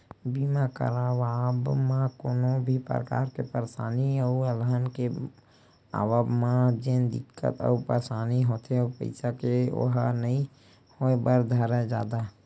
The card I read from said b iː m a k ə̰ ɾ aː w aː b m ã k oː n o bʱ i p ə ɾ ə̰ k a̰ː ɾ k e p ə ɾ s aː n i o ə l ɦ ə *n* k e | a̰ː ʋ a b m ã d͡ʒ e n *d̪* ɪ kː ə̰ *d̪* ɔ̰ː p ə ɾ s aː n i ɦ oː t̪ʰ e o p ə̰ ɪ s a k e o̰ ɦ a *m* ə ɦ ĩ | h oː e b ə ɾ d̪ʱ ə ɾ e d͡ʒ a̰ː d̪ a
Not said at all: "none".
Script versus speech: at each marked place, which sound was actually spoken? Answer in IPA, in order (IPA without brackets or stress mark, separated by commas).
n, d̪, t̪, n